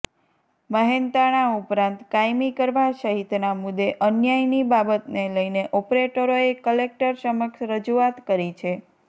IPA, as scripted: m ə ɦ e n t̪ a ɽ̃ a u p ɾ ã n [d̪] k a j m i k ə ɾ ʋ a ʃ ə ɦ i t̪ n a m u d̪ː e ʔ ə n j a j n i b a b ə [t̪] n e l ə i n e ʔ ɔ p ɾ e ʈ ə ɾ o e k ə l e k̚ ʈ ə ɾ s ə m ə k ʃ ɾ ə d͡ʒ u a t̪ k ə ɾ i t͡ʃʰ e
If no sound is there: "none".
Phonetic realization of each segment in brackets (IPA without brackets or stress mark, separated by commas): t̪, t̪